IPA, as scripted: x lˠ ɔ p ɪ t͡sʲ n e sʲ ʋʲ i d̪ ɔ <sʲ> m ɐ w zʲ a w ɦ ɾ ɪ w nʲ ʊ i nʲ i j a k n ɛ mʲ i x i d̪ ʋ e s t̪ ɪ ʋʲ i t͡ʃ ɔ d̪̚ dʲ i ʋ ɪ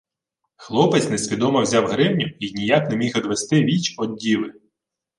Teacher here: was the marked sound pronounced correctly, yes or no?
no